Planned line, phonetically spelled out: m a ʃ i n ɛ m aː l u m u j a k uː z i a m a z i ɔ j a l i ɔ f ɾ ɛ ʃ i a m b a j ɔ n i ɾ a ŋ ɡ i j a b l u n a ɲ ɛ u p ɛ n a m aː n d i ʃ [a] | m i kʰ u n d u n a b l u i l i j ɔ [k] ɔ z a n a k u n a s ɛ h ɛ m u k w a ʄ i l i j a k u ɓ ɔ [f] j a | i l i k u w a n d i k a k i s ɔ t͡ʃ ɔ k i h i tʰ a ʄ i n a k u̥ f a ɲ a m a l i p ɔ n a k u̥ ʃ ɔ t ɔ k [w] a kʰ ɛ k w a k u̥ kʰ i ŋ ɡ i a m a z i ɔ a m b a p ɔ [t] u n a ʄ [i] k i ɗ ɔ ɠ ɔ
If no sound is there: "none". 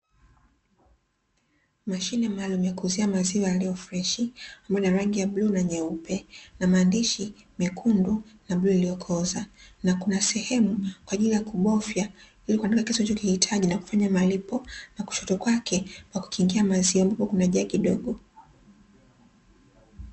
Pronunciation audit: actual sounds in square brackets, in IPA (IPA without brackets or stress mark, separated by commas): i, kʰ, f, w, k, a